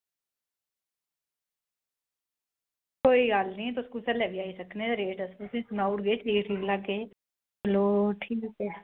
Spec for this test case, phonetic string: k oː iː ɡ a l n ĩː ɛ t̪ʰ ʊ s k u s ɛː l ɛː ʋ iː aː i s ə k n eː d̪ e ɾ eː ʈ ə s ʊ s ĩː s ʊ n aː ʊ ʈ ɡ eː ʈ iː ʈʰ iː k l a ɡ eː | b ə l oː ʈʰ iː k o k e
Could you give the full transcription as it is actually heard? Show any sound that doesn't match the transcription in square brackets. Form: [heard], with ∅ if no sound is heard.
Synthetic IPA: k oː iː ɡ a l n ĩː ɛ [t̪] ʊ s k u s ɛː l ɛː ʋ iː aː i s ə k n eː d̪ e ɾ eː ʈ ə s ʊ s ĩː s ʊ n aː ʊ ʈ ɡ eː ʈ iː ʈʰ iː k l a ɡ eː | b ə l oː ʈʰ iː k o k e